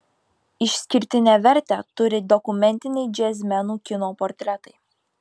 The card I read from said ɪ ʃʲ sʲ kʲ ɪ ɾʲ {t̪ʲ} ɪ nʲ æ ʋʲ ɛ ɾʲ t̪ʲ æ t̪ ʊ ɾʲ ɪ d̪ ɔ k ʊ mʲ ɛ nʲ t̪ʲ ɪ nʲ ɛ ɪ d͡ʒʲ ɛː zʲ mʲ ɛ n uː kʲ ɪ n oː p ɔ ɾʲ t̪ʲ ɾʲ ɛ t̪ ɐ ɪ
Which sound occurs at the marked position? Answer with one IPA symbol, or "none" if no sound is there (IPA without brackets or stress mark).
t̪ʲ